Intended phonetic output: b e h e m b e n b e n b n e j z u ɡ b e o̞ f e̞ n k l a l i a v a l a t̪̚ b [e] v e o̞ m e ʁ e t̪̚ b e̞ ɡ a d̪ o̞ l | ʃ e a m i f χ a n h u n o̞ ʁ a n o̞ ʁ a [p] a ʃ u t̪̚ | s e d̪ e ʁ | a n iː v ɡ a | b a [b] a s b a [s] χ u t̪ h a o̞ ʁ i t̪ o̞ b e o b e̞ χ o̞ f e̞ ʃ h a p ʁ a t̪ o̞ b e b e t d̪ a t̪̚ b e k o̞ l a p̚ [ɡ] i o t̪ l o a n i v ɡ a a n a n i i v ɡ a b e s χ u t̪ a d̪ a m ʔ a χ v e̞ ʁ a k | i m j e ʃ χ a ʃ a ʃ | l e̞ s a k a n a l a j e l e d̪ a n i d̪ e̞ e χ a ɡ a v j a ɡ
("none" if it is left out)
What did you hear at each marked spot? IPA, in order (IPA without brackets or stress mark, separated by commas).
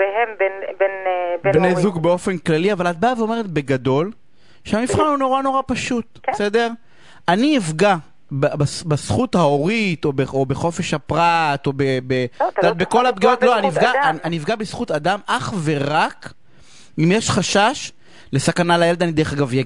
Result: a, p, b, s, ɡ